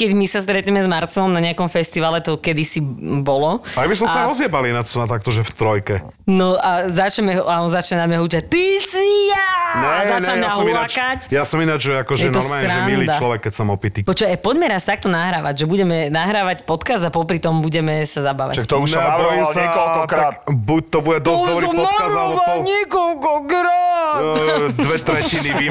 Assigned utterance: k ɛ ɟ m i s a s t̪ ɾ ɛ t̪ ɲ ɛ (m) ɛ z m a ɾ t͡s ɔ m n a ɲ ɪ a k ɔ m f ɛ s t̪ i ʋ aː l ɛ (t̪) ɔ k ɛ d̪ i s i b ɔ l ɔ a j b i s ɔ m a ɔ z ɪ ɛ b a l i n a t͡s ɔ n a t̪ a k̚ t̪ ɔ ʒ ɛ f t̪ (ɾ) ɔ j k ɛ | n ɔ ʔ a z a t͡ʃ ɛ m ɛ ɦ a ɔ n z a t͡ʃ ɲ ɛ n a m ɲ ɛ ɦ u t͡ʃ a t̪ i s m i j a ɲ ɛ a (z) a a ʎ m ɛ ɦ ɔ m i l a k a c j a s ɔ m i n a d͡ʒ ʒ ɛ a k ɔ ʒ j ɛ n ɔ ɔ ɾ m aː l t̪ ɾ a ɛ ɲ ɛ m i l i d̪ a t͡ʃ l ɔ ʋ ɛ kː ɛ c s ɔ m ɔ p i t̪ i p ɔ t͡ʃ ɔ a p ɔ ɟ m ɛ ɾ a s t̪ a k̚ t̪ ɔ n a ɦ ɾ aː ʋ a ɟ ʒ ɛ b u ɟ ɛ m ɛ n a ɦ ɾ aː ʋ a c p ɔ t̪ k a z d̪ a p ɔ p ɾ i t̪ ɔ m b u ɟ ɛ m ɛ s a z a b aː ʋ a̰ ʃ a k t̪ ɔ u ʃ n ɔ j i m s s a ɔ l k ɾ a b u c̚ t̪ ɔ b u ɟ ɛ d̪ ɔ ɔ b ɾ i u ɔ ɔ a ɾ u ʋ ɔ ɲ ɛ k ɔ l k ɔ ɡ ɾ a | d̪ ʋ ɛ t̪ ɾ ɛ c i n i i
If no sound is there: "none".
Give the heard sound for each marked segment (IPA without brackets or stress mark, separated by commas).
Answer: m, t̪, ɾ, z